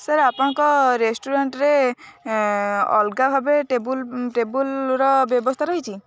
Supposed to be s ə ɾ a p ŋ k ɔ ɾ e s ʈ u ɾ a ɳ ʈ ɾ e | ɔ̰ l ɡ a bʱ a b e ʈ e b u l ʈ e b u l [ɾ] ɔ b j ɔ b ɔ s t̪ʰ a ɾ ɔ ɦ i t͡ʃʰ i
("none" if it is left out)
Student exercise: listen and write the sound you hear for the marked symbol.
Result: ɾ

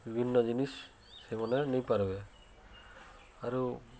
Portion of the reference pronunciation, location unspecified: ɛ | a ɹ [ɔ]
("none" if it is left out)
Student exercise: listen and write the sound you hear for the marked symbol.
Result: u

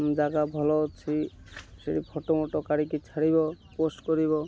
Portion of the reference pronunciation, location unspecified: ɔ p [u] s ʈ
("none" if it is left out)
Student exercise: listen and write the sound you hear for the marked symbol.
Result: o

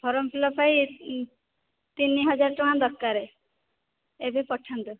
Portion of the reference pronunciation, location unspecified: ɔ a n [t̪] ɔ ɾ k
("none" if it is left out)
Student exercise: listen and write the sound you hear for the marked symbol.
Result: d̪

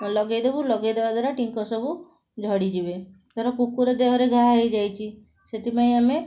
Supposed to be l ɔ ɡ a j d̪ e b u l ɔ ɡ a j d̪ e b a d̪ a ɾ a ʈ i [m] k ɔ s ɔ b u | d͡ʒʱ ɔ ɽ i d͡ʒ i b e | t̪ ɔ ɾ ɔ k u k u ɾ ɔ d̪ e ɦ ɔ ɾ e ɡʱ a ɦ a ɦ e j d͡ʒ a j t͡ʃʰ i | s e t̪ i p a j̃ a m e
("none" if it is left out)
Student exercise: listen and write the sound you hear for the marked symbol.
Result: ŋ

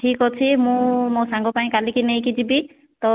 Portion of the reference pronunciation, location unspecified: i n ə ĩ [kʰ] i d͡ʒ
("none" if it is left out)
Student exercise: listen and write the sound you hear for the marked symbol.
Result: k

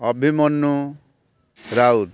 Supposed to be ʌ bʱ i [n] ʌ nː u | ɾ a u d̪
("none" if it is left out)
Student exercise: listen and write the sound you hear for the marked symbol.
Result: m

